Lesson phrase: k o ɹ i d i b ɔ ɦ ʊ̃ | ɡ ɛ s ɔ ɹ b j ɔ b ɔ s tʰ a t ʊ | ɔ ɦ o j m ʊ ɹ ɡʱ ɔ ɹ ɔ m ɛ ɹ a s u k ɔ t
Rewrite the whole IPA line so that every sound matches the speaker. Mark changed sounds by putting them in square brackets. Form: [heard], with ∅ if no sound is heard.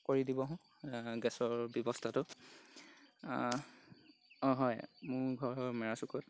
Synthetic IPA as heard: k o ɹ i d i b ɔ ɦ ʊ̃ | ɡ ɛ s ɔ ɹ b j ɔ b ɔ s tʰ a t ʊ | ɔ ɦ [ɔ] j m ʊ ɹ ɡʱ ɔ ɹ ɔ m ɛ ɹ a s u k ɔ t